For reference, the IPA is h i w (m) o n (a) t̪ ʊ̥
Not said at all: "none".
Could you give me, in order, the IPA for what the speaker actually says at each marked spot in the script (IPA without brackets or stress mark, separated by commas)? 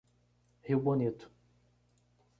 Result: b, i